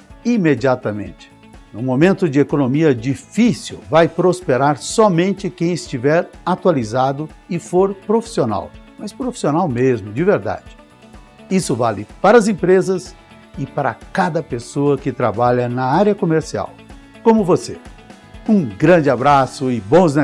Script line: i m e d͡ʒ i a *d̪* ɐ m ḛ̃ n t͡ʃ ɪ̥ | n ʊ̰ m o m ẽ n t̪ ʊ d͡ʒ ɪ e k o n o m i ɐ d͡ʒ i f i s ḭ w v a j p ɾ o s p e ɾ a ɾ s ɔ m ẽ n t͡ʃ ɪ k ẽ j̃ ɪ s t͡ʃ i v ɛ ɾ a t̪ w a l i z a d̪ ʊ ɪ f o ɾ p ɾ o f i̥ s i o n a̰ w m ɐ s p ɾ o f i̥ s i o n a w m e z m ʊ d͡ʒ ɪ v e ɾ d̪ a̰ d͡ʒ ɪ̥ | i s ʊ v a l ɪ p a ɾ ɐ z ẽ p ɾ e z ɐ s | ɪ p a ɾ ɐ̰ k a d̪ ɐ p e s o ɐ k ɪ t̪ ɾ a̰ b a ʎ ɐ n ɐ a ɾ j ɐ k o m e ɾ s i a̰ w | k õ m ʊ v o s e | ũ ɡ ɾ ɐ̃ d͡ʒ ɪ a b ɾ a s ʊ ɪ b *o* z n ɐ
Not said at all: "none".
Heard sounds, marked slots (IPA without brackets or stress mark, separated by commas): t̪, õ